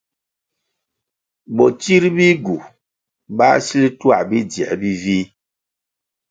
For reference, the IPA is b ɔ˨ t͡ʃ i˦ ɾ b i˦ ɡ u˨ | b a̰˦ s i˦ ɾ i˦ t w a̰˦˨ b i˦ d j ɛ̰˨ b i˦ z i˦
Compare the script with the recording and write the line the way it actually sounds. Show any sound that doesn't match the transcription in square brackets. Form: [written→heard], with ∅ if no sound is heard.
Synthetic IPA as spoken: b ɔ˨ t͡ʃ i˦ ɾ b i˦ ɡ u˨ | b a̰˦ s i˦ [ɾ→l] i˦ t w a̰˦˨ b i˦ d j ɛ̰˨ b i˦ [z→v] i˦

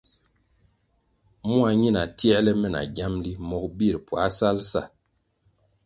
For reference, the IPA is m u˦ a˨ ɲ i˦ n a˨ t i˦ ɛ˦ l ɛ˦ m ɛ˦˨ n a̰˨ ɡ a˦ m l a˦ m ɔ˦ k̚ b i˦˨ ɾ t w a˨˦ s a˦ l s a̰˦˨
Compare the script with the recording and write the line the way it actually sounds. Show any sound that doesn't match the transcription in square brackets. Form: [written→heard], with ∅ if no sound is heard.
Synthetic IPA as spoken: m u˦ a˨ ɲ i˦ n a˨ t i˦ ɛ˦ l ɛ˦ m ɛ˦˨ n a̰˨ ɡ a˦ m l [a˦→i˦] m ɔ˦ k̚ b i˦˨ ɾ [t→p] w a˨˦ s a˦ l s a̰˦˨

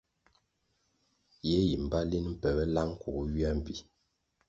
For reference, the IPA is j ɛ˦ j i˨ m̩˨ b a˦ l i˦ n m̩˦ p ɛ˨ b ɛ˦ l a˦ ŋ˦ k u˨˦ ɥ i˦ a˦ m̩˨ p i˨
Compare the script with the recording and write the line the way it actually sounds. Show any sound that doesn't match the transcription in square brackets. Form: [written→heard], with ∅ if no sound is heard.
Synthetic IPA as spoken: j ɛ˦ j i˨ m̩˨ b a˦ l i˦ n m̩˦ p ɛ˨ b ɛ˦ l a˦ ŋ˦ k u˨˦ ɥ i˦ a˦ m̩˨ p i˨

